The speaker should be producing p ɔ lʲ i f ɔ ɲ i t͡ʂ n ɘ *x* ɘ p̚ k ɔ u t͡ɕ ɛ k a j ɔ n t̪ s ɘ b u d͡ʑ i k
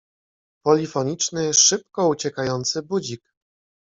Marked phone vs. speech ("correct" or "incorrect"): incorrect